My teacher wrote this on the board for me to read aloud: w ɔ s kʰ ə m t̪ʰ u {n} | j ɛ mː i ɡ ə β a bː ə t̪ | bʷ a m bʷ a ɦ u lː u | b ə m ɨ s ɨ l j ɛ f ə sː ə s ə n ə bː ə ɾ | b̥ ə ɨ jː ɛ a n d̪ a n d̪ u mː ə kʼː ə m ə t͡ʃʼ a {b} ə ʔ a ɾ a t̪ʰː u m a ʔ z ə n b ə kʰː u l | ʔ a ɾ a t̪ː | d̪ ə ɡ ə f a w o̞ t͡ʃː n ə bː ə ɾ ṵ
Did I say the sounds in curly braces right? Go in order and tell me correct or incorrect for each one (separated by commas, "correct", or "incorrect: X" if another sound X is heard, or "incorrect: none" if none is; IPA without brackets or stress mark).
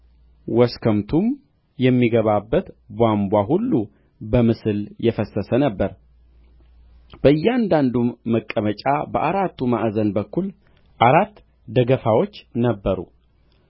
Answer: incorrect: m, correct